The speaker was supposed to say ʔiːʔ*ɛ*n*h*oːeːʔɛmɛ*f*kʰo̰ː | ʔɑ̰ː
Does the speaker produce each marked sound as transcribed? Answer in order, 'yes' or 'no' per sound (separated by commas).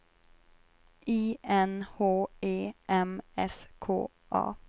yes, yes, no